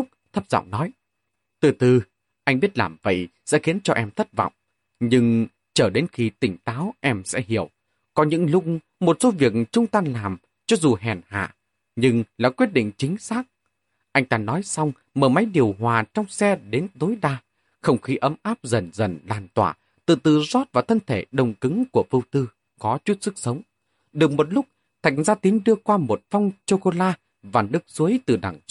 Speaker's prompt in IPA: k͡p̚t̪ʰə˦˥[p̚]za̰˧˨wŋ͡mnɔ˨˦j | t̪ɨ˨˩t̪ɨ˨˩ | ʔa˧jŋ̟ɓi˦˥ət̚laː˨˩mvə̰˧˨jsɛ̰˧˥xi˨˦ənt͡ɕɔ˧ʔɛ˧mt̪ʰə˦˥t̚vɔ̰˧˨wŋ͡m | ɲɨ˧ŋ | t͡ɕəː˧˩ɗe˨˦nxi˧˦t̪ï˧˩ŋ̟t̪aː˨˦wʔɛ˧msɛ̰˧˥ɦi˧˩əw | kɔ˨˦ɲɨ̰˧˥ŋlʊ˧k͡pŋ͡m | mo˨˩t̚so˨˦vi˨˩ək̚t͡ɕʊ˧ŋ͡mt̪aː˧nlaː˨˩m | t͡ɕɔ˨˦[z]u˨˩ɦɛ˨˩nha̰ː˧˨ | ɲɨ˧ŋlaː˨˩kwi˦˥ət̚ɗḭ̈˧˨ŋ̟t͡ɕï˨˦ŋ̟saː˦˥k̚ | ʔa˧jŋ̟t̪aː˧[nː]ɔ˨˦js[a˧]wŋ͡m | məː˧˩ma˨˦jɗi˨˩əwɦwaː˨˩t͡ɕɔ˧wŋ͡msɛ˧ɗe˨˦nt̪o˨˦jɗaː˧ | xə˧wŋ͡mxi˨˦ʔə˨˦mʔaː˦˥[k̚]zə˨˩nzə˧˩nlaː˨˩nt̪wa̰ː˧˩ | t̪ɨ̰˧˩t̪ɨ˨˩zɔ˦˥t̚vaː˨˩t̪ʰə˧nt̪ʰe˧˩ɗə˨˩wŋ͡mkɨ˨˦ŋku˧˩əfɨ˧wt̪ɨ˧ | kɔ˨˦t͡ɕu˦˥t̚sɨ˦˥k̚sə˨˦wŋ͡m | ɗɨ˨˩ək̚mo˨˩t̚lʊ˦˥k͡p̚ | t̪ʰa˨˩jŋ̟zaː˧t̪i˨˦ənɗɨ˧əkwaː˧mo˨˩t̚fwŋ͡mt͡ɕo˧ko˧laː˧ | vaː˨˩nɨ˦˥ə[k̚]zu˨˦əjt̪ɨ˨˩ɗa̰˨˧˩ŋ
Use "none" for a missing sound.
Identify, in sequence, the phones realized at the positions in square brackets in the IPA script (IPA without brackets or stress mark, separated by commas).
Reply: p̚, z, n, a˧, p̚, k̚